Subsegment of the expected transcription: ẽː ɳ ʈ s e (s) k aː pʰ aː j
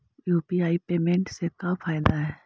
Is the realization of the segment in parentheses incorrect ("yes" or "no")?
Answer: yes